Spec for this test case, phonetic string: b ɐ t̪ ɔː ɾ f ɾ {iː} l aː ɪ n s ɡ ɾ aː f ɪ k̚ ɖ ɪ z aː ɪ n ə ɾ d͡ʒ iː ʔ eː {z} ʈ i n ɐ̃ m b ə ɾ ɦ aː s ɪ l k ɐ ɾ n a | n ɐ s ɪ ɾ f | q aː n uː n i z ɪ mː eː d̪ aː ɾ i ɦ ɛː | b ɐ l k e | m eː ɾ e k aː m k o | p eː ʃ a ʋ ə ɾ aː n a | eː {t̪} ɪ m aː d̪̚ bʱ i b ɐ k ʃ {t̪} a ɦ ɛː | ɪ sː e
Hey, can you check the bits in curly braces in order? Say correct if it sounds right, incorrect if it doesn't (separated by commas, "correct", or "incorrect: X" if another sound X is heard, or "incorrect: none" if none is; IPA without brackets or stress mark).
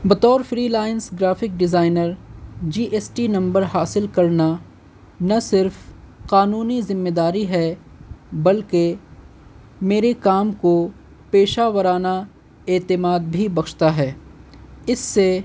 correct, incorrect: s, correct, correct